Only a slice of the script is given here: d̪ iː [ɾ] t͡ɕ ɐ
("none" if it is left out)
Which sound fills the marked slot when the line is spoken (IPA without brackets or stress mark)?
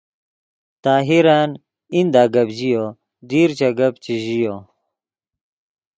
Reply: ɾ